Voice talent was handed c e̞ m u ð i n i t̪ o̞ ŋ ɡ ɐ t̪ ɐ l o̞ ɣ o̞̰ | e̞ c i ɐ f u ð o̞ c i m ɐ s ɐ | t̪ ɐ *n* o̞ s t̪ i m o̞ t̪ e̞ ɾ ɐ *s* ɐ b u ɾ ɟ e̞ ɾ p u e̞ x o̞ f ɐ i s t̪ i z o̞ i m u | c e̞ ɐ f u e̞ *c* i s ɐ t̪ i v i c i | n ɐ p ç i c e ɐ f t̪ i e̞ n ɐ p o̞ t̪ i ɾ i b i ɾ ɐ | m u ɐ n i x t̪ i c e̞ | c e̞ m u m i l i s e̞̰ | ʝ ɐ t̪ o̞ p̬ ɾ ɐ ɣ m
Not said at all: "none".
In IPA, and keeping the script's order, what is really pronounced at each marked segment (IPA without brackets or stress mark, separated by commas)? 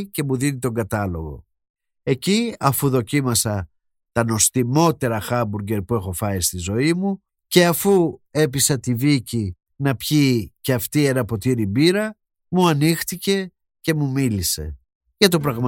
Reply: n, x, p